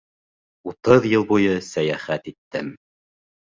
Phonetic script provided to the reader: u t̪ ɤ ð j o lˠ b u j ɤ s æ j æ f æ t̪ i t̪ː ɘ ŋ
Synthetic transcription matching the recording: u t̪ ɤ ð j ɤ lˠ b u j ɤ s æ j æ χ æ t̪ i t̪ː ɘ m